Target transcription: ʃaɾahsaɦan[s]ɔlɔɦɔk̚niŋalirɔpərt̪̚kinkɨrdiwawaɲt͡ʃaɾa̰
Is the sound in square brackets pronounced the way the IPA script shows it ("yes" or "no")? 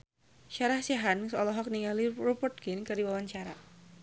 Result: yes